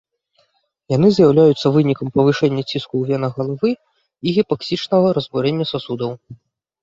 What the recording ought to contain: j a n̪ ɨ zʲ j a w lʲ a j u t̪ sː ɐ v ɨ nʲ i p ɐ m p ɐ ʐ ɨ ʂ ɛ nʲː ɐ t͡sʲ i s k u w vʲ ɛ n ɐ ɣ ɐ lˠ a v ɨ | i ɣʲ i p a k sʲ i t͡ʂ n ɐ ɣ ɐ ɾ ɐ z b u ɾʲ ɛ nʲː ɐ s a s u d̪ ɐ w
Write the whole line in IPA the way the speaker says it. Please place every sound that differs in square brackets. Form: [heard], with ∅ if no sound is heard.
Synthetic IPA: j a n̪ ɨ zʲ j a w lʲ a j u t̪ sː ɐ v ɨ nʲ i [k] ɐ m p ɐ [v] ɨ ʂ ɛ nʲː ɐ t͡sʲ i s k u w vʲ ɛ n ɐ ɣ ɐ lˠ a v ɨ | i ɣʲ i p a k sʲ i t͡ʂ n ɐ ɣ ɐ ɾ ɐ z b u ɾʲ ɛ nʲː ɐ s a s u d̪ ɐ w